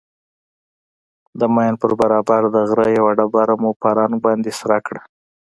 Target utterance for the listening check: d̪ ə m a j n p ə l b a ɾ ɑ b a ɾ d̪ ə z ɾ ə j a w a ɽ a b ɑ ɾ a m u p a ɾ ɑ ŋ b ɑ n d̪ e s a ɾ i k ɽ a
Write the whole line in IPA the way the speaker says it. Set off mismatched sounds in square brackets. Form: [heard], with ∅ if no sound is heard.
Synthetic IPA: d̪ ə m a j n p ə [ɾ] b a ɾ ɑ b a ɾ d̪ ə [ɣ] ɾ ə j a w a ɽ a b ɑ ɾ a m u p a ɾ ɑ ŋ b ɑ n d̪ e s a ɾ [a] k ɽ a